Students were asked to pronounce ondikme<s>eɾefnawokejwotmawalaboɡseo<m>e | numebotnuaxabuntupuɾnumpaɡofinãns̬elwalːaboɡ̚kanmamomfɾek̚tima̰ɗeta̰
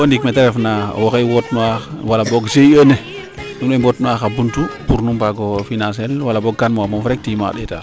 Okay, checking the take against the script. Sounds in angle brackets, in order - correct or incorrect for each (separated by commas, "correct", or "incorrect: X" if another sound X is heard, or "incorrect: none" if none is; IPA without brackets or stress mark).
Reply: incorrect: t, incorrect: n